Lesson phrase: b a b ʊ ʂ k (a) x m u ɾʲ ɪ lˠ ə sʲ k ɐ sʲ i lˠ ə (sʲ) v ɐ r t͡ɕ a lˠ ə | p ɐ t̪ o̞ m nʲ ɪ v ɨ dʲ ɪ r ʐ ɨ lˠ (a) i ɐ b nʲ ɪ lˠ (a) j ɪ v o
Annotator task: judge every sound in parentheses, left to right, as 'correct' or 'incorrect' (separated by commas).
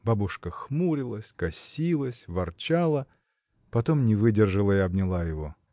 incorrect, correct, incorrect, correct